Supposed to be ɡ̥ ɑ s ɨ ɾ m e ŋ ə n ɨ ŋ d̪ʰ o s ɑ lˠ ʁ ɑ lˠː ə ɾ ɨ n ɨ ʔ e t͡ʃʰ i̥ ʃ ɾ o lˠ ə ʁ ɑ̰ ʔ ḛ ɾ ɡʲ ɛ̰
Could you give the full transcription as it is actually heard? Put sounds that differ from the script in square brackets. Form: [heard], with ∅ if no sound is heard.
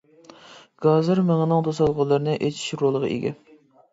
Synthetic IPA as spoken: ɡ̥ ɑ [z] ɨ ɾ m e ŋ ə n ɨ ŋ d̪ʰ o s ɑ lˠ ʁ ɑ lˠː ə ɾ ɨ n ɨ ʔ e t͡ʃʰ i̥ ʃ ɾ o lˠ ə ʁ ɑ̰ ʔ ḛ [∅] ɡʲ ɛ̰